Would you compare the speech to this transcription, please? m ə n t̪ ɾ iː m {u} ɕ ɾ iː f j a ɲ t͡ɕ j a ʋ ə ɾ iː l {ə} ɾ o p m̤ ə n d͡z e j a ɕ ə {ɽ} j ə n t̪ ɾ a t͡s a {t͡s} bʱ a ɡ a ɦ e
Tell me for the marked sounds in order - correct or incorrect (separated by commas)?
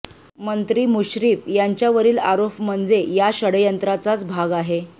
correct, incorrect, correct, correct